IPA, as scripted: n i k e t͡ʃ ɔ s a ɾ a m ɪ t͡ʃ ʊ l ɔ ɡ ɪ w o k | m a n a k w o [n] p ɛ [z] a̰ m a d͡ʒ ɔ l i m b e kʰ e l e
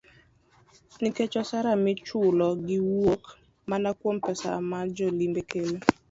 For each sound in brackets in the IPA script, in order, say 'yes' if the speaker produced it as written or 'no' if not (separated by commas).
no, no